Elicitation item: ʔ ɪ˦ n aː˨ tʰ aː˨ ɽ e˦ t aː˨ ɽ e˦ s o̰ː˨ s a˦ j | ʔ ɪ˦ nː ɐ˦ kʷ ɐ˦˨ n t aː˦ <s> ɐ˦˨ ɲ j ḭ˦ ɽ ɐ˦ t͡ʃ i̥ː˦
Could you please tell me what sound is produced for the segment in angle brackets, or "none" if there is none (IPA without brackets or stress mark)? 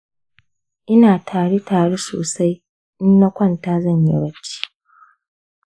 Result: z